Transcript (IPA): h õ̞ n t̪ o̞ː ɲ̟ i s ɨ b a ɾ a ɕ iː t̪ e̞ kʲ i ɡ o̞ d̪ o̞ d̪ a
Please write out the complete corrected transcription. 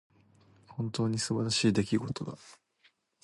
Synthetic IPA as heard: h õ̞ n t̪ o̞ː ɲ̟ i s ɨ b a ɾ a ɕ iː d̪ e̞ kʲ i ɡ o̞ t̪ o̞ d̪ a